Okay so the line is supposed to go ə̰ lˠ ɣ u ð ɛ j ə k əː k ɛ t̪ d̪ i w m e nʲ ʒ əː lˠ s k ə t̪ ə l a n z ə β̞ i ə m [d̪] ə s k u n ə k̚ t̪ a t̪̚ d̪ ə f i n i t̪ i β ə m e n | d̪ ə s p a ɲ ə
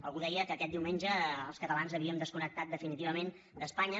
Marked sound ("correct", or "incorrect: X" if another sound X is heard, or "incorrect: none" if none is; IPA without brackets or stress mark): correct